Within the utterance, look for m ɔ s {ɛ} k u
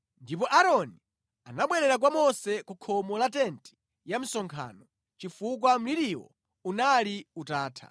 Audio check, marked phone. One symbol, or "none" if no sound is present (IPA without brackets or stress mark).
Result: ɛ